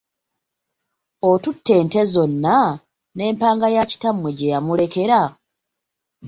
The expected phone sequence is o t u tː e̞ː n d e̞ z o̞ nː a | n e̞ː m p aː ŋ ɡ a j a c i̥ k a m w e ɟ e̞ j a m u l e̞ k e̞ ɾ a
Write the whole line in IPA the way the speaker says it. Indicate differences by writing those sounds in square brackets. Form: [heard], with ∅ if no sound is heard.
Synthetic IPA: o t u tː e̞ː n [t] e̞ z o̞ nː a | n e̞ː m p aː ŋ ɡ a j a c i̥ [t] a m w e ɟ e̞ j a m u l e̞ k e̞ ɾ a